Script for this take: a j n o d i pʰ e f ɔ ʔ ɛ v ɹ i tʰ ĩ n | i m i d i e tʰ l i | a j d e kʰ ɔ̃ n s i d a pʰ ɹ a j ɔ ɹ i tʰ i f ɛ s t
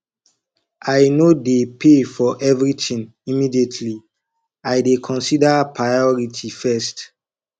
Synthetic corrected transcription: a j n o d e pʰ e f ɔ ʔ ɛ v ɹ i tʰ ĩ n | i m i d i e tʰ l i | a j d e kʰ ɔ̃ n s i d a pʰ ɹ a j ɔ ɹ i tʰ i f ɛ s t